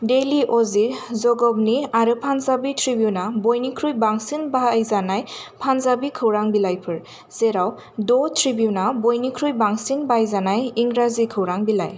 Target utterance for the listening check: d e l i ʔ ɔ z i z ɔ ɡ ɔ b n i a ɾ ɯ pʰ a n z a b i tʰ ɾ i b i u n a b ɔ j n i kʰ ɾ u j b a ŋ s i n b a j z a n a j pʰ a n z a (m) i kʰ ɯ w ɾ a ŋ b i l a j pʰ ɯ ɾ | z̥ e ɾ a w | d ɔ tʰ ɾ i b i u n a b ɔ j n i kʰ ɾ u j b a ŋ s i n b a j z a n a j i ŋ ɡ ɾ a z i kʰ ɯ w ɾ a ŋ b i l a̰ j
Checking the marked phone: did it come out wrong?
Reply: yes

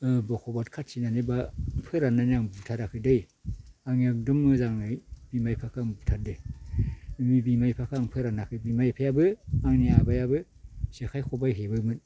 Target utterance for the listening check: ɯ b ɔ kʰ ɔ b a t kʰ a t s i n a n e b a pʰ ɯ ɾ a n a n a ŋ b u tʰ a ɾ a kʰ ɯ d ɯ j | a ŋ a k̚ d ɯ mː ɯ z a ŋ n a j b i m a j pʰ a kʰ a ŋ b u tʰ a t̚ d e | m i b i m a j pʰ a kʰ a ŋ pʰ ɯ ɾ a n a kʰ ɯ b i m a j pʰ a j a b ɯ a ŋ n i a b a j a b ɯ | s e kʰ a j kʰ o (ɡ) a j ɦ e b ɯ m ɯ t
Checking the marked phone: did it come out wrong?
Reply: yes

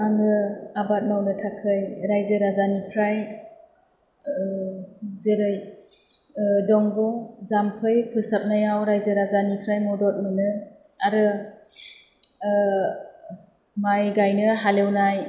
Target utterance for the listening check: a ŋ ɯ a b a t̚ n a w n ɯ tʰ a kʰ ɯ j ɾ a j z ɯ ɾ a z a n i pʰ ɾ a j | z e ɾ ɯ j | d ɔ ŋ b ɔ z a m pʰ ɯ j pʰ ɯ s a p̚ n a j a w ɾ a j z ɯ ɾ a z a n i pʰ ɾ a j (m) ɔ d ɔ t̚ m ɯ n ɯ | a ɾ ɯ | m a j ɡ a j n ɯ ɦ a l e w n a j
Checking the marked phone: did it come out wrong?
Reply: no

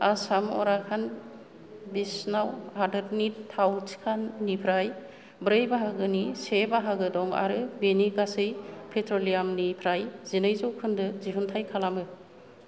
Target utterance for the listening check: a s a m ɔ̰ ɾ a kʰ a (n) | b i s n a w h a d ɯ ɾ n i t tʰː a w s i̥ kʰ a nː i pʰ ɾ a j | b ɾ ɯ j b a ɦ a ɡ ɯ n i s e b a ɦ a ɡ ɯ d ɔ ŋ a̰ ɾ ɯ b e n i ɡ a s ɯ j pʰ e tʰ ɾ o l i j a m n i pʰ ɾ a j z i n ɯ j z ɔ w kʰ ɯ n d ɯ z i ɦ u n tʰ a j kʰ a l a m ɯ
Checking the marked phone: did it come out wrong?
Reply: no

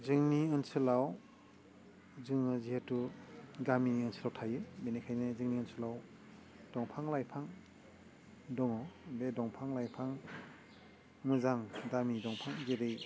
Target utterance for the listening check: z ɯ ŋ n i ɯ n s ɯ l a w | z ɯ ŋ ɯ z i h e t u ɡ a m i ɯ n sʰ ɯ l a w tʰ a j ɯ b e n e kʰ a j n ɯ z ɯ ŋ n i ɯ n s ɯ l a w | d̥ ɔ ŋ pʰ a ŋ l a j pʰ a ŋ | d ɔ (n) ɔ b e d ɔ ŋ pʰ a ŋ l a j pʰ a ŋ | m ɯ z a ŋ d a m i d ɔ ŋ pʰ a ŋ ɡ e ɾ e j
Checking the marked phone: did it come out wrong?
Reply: yes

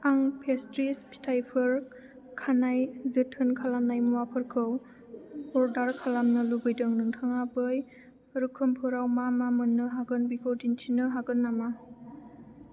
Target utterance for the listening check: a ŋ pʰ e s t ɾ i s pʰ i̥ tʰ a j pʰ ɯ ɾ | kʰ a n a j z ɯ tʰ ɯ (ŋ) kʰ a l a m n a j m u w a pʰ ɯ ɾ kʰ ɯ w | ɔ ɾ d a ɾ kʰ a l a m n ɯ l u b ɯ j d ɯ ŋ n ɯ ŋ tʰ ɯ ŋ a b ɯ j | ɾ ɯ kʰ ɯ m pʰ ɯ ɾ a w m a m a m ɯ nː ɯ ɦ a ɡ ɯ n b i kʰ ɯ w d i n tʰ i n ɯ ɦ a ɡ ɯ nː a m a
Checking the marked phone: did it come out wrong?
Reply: yes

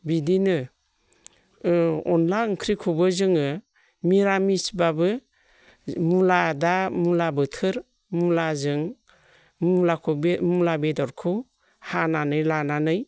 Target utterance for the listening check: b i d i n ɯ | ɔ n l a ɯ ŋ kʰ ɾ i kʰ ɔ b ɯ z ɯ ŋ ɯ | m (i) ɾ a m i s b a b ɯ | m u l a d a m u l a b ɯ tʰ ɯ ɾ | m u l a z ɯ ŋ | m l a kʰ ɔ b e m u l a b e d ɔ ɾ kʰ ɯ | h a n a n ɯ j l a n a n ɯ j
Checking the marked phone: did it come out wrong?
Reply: no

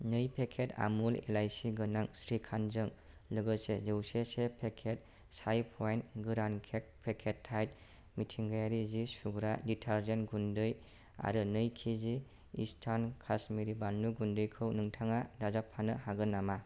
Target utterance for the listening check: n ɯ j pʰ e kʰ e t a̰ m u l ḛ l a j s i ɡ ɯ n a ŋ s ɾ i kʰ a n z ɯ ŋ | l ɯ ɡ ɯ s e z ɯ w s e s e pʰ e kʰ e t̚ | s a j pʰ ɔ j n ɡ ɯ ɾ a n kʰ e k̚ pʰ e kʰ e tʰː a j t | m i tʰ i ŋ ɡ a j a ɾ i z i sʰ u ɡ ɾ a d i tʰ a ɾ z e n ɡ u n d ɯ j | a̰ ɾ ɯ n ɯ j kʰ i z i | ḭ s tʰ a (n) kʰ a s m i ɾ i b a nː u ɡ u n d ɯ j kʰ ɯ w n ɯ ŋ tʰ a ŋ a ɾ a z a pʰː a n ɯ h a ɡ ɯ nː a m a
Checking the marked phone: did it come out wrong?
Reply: no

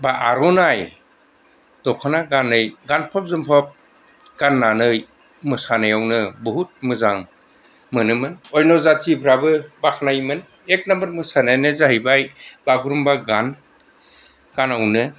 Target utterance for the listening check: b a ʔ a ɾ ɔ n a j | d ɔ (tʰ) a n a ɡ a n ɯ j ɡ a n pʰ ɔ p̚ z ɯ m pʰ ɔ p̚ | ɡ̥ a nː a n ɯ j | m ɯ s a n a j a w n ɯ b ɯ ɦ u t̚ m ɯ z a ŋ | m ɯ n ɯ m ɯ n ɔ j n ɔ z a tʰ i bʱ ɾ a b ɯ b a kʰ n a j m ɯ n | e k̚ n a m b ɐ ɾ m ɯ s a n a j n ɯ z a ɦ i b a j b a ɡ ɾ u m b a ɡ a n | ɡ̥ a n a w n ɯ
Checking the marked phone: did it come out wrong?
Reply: yes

